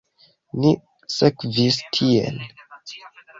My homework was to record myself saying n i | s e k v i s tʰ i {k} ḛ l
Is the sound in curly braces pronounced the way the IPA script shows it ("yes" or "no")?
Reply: no